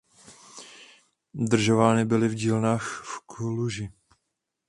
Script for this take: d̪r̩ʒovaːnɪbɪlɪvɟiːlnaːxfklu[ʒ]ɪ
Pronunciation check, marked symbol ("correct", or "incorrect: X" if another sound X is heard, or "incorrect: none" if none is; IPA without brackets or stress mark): correct